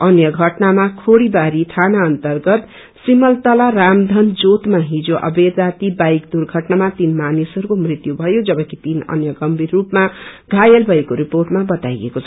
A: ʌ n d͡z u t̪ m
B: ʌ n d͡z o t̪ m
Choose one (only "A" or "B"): B